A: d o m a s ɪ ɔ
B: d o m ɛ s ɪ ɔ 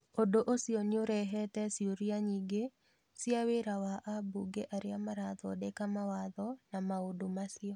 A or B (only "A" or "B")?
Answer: A